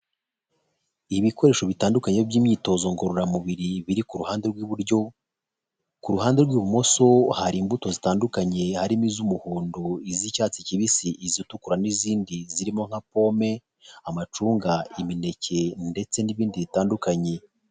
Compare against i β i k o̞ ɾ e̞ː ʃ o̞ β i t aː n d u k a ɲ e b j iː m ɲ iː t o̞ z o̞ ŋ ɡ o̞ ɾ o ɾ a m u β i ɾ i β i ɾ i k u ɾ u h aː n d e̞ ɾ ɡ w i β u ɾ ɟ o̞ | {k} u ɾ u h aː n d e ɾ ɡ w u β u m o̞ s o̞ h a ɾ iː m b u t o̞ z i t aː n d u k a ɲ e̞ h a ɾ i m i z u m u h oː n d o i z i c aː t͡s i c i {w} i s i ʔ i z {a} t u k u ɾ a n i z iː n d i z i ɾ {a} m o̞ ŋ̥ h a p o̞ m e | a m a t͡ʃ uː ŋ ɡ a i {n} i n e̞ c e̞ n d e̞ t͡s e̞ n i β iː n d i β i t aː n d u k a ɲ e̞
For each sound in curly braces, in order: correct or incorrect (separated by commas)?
correct, incorrect, incorrect, incorrect, incorrect